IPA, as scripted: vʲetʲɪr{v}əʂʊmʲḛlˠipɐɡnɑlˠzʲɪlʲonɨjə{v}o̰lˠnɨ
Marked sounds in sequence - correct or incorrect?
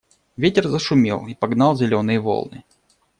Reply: incorrect: z, correct

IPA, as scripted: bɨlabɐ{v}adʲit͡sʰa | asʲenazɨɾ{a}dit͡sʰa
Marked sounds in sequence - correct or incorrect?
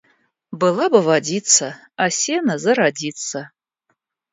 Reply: correct, correct

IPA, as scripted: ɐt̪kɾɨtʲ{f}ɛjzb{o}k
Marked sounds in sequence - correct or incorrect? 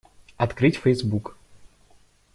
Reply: correct, incorrect: u

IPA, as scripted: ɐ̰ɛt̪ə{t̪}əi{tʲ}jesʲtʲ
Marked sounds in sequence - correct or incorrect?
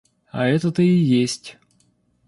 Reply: correct, incorrect: none

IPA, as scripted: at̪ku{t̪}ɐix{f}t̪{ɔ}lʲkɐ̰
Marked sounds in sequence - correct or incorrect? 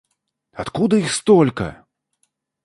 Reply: incorrect: d̪, incorrect: s, correct

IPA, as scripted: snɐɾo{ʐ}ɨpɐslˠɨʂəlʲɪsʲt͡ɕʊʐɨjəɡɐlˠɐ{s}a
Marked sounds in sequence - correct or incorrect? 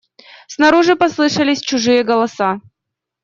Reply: correct, correct

